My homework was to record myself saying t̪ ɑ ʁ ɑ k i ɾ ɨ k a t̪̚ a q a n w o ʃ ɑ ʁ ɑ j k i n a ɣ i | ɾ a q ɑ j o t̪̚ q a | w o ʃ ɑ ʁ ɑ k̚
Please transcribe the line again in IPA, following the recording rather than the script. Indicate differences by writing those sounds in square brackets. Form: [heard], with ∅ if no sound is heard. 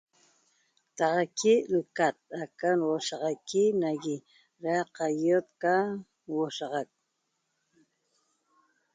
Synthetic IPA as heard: t̪ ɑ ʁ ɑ k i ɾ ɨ k a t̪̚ a [k] a n w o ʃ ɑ ʁ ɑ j k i n a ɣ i | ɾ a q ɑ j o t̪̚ [k] a | w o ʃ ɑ ʁ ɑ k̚